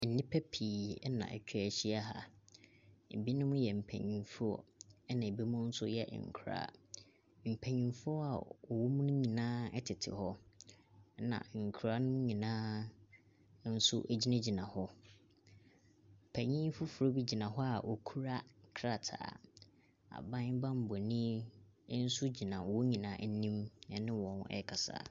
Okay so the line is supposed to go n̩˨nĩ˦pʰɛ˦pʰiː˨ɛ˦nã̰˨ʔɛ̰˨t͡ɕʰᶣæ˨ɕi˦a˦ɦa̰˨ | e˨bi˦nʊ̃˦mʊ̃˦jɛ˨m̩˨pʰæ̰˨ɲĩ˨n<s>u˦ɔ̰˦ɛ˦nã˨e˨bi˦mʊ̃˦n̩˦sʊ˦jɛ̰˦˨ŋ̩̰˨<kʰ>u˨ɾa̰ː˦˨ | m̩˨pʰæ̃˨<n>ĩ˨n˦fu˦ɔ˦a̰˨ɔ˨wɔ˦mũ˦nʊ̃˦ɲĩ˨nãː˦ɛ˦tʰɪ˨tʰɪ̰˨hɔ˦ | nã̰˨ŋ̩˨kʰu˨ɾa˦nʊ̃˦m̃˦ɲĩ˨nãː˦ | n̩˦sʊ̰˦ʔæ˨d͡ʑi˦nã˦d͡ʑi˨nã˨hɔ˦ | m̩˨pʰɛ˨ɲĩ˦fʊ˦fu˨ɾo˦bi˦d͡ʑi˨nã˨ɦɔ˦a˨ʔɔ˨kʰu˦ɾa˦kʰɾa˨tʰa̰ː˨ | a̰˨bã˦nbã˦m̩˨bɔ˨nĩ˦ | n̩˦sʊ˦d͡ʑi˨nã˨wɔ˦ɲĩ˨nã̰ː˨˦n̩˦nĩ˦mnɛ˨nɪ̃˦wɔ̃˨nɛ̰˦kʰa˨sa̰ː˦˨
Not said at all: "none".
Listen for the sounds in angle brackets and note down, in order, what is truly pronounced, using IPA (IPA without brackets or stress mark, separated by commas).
f, kʰ, ɲ